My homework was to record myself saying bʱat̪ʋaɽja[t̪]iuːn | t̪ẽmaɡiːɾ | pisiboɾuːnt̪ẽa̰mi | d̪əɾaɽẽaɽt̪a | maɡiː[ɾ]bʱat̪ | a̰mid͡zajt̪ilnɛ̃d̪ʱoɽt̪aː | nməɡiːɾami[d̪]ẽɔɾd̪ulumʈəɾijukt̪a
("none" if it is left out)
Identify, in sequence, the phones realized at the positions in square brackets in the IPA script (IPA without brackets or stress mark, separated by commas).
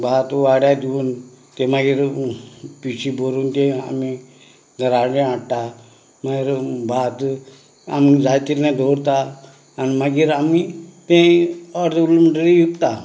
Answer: d̪, ɾ, t̪